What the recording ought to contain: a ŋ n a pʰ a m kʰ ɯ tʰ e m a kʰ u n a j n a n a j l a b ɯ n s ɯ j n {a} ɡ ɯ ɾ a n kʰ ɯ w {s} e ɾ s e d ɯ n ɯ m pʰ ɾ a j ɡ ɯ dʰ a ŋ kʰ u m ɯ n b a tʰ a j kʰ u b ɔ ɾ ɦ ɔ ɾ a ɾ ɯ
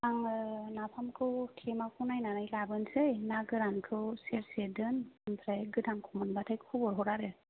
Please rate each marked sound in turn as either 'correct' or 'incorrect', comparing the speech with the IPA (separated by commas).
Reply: correct, correct